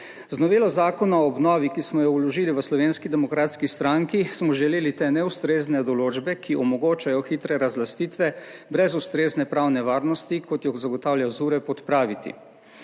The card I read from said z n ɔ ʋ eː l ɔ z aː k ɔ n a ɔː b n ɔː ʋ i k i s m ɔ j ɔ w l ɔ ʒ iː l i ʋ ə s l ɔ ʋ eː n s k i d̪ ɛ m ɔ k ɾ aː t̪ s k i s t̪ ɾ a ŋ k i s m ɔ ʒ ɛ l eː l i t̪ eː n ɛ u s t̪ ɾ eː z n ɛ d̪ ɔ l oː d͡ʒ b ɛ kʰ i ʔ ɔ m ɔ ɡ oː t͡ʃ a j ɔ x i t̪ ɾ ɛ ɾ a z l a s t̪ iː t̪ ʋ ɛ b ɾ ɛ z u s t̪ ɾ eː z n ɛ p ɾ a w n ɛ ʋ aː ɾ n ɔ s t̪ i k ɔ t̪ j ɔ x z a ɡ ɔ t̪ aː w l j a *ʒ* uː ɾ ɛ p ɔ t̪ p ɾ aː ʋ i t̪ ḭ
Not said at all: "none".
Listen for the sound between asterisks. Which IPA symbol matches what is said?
z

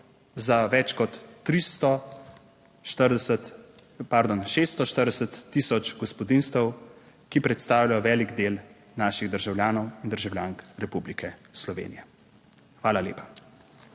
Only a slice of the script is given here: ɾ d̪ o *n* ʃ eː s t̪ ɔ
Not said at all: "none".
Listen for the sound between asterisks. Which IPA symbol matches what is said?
n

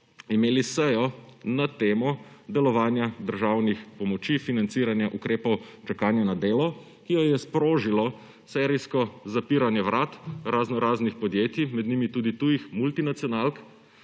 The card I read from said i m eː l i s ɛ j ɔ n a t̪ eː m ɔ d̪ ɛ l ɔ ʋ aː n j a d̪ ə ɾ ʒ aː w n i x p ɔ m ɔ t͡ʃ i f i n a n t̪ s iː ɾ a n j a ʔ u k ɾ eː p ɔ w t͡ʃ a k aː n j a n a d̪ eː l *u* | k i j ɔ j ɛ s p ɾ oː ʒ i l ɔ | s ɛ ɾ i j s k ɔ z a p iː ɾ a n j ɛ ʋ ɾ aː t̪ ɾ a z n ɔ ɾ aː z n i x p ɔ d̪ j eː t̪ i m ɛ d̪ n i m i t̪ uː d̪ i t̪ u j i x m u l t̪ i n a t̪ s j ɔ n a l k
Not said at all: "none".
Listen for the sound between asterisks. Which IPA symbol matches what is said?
ɔ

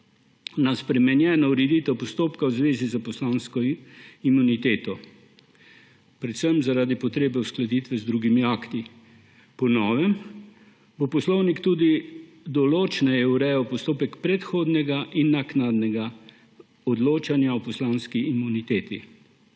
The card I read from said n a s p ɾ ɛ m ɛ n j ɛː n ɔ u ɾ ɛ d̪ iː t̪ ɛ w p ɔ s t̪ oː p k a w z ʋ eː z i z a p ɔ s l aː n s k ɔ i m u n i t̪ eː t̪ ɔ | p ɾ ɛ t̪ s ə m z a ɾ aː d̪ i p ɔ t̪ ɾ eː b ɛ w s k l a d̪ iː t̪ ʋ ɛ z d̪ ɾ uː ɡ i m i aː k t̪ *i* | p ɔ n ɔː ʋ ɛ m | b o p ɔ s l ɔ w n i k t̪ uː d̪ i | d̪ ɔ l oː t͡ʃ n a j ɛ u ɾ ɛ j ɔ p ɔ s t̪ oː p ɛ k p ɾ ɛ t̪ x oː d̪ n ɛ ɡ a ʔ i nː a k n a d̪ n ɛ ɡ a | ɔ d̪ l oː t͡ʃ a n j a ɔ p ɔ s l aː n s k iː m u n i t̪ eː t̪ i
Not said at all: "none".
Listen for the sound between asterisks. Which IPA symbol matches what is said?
i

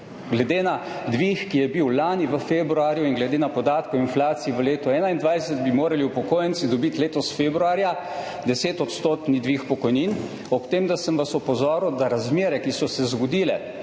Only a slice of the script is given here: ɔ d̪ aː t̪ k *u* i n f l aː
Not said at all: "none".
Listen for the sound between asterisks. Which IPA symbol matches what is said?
ɔ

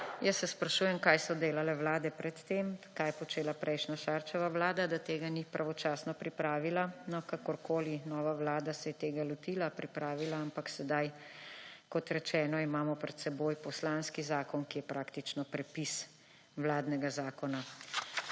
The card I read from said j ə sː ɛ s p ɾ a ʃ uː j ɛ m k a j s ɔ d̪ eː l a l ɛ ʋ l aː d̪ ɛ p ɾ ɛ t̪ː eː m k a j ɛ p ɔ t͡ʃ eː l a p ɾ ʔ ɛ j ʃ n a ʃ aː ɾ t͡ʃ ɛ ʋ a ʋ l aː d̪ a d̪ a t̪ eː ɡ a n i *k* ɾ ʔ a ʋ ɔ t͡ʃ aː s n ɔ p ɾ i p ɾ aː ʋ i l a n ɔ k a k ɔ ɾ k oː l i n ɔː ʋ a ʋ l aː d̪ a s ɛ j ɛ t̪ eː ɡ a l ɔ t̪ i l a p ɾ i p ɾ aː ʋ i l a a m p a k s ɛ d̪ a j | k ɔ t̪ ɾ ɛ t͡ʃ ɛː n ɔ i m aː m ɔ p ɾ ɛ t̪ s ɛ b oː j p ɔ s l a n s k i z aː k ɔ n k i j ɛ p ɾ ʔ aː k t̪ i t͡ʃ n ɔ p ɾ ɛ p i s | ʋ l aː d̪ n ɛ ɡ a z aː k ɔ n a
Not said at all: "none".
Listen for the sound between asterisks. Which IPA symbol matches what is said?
p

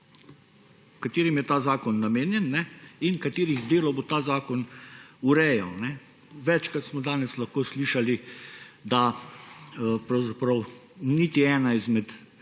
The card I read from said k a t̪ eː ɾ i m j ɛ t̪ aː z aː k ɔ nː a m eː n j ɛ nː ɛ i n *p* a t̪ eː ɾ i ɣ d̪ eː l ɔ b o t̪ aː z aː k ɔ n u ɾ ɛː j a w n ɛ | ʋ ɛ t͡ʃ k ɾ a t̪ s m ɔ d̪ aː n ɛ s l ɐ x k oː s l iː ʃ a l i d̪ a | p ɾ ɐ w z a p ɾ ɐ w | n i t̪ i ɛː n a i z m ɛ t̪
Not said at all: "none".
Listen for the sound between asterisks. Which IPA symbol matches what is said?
k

